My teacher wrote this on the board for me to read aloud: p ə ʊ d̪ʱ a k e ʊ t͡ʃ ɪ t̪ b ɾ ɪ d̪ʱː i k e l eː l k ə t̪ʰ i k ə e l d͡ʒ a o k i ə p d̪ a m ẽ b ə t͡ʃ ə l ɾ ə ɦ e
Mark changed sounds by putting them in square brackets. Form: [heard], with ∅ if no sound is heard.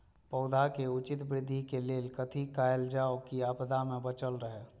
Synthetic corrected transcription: p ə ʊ d̪ʱ a k e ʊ t͡ʃ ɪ t̪ b ɾ ɪ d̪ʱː i k e l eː l k ə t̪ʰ i k [a] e l d͡ʒ a o k i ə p d̪ a m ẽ b ə t͡ʃ ə l ɾ ə ɦ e